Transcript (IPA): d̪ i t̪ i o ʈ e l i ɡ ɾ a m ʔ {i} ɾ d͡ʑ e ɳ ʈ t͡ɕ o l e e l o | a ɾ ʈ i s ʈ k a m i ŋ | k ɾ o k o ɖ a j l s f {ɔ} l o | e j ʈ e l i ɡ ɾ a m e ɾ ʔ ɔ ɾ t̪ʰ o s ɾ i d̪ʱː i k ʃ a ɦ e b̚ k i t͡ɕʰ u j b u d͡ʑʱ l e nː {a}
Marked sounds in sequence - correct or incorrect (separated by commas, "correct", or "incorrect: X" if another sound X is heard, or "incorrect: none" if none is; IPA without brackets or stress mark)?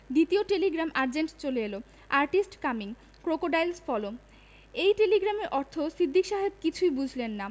incorrect: a, correct, correct